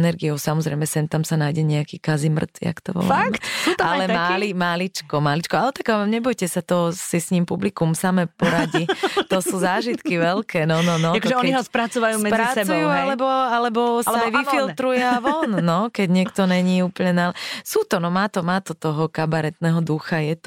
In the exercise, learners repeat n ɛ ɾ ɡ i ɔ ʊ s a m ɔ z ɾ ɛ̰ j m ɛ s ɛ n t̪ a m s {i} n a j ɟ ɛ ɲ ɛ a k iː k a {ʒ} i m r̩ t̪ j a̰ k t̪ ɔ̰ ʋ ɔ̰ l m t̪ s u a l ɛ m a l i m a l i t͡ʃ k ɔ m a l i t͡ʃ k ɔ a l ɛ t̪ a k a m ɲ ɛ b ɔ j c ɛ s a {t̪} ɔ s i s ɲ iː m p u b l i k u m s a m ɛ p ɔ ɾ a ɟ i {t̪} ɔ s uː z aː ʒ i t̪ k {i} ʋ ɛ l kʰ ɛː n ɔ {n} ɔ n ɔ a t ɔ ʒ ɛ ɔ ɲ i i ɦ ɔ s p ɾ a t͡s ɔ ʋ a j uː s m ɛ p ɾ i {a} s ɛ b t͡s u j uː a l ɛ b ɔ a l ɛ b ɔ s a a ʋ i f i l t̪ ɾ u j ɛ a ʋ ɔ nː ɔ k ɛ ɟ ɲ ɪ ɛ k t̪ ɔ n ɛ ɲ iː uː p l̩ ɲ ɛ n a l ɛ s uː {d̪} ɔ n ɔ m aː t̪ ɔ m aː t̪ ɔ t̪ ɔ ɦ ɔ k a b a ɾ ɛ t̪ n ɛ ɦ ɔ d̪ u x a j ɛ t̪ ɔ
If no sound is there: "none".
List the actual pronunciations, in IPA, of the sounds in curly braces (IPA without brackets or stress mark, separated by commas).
a, z, t̪, t̪, i, n, a, t̪